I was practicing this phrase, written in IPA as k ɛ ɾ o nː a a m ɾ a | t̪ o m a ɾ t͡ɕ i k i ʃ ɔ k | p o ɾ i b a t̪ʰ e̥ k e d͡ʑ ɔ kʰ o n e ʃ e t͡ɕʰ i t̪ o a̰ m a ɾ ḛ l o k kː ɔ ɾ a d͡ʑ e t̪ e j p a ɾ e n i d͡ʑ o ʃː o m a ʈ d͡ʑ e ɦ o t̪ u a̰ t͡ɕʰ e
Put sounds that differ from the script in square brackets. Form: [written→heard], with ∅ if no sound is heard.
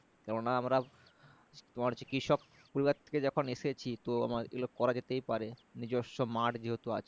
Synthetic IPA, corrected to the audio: k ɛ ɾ o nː a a m ɾ a | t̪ o m a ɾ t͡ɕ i k i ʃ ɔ k | p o ɾ i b a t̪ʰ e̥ k e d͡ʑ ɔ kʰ o n e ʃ e t͡ɕʰ i t̪ o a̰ m a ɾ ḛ l o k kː ɔ ɾ a d͡ʑ e t̪ e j p a ɾ e n i d͡ʑ o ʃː o m a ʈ d͡ʑ e ɦ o t̪ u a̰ t͡ɕʰ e